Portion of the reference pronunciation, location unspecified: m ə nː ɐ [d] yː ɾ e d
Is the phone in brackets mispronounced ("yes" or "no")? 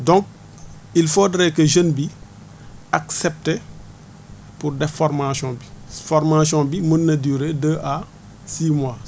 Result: no